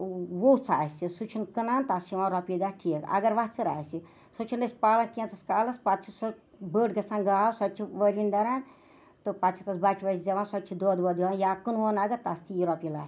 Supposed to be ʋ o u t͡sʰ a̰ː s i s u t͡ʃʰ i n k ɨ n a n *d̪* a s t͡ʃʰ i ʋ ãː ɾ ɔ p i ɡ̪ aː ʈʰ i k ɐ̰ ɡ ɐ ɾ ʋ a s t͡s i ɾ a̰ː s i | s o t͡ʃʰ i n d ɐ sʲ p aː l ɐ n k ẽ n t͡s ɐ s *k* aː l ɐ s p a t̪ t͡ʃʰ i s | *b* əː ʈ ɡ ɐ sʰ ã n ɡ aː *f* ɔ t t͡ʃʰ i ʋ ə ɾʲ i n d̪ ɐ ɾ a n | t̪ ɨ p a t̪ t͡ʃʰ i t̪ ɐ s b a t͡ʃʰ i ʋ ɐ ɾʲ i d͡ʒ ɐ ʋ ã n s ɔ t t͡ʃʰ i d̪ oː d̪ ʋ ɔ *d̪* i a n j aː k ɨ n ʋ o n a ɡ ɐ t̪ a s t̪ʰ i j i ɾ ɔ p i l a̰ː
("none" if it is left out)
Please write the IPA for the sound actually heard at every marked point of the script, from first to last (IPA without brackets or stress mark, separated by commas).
t̪, k, b, s, d̪